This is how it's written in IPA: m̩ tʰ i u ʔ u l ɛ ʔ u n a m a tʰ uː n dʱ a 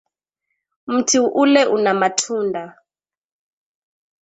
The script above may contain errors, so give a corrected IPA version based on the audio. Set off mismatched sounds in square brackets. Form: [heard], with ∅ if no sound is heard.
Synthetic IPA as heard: m̩ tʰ i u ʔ u l ɛ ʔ u n a m a tʰ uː n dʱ a

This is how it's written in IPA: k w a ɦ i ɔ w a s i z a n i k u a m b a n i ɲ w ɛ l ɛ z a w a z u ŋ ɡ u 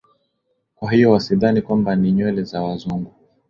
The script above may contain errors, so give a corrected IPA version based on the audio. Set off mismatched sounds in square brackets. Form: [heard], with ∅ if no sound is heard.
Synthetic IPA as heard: k w a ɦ i ɔ w a s i [ð] a n i k [w] a m b a n i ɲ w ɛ l ɛ z a w a z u ŋ ɡ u

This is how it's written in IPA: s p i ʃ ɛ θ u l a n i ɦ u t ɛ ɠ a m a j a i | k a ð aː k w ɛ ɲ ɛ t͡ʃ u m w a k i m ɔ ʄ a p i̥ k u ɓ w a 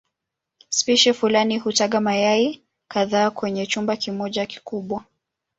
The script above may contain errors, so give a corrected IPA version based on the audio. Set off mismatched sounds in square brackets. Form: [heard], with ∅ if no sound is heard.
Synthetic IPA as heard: s p i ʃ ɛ [f] u l a n i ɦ u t [a] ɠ a m a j a i | k a ð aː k w ɛ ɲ ɛ t͡ʃ u m [b] a k i m ɔ ʄ a [k] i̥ k u ɓ w a

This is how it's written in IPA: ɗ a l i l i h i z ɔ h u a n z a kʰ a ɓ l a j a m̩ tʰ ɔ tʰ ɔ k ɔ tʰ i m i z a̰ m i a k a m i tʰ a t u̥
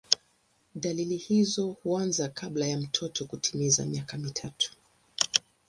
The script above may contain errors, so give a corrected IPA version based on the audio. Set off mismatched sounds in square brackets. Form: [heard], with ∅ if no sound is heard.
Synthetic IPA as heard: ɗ a l i l i h i z ɔ h u a n z a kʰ a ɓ l a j a m̩ tʰ ɔ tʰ ɔ k [u] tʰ i m i z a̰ m i a k a m i tʰ a t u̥

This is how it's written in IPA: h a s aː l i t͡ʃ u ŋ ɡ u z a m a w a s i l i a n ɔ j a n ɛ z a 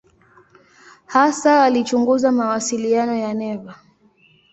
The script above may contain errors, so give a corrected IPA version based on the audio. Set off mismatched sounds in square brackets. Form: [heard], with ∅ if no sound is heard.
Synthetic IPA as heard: h a s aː l i t͡ʃ u ŋ ɡ u z a m a w a s i l i a n ɔ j a n ɛ [v] a

